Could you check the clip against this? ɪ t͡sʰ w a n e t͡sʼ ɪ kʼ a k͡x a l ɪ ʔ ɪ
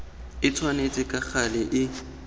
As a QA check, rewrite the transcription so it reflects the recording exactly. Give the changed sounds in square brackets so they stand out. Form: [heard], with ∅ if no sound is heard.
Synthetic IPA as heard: ɪ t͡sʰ w a n e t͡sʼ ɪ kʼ a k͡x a l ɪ ʔ ɪ